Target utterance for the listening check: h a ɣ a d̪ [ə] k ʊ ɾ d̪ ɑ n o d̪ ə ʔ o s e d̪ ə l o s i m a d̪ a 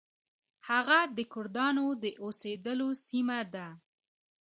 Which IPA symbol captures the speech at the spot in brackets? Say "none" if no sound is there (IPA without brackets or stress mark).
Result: ə